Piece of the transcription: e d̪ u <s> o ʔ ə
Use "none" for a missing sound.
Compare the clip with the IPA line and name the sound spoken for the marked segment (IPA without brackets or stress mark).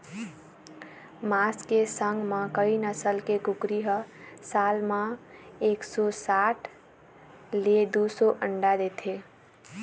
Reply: s